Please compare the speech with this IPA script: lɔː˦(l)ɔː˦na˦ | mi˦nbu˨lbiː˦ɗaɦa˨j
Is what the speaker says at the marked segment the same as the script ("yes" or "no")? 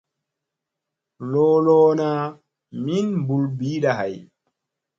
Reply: yes